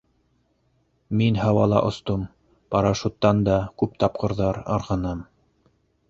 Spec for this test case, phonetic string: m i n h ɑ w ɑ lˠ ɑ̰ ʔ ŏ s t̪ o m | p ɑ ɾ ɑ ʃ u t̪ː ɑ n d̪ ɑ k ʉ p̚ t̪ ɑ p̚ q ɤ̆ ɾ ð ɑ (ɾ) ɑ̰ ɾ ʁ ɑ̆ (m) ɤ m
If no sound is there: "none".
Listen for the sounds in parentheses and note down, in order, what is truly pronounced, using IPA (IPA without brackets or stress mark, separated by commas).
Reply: ɾ, n